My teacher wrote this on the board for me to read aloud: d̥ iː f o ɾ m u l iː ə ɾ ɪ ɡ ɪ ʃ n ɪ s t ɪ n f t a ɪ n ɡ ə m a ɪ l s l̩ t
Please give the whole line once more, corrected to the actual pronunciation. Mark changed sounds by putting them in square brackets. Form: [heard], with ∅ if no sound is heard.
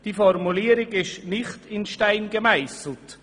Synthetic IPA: d̥ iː f [ɔ] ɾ m u l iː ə ɾ ɪ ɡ ɪ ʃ n ɪ [χ] t ɪ n [ʃ] t a ɪ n ɡ ə m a ɪ [∅] s l̩ t